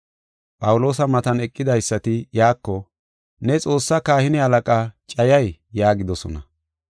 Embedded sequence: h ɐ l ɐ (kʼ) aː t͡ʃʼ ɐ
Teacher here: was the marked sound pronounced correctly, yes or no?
yes